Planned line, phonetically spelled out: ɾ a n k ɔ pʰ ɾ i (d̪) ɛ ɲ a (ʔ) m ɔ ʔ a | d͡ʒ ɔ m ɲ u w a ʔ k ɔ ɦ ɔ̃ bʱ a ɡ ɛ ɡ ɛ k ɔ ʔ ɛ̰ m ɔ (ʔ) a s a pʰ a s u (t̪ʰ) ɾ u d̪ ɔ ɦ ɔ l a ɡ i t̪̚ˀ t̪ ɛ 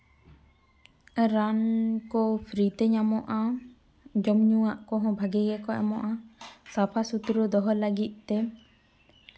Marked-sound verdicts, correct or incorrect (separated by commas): incorrect, incorrect, correct, incorrect